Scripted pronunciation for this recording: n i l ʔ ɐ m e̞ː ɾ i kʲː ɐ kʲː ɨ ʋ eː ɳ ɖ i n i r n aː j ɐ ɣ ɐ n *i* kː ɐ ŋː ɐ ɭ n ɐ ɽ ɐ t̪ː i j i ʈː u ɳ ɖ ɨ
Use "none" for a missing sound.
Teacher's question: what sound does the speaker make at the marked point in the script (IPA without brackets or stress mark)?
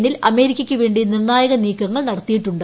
iː